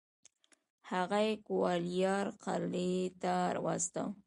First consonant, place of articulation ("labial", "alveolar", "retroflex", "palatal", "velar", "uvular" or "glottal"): glottal